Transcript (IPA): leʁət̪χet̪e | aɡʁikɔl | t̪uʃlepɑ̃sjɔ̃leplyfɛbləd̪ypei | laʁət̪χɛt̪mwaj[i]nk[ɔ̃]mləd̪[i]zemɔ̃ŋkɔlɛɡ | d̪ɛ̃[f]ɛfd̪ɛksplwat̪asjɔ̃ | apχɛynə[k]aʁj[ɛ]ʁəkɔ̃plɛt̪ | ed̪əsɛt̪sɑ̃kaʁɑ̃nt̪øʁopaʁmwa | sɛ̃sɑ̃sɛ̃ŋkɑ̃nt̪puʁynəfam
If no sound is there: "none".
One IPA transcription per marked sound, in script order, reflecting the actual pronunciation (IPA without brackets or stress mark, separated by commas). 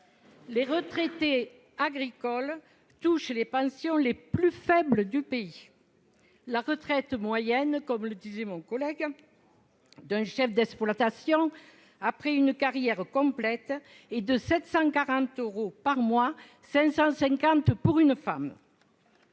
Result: ɛ, ɔ, i, ʃ, k, ɛ